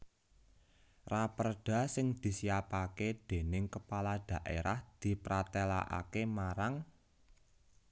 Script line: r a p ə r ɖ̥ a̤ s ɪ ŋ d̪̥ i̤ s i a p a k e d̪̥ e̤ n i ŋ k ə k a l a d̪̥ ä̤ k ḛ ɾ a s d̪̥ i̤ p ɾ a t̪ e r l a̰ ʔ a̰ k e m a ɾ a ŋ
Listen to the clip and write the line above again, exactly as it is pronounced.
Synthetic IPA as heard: r a p ə r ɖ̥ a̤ s ɪ ŋ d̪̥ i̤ s i a p a k e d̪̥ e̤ n ɪ ŋ k ə p a l a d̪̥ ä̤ ʔ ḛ ɾ a h d̪̥ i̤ p ɾ a t̪ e l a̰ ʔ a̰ k e m a ɾ a ŋ